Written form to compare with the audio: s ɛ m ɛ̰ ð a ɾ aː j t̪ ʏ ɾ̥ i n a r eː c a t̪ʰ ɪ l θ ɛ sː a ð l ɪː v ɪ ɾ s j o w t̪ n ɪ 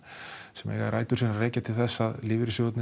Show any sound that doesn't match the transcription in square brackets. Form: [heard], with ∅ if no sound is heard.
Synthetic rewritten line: s ɛ m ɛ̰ [ɣ] a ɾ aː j t̪ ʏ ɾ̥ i n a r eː c a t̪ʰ ɪ l θ ɛ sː a ð l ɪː v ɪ ɾ s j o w t̪ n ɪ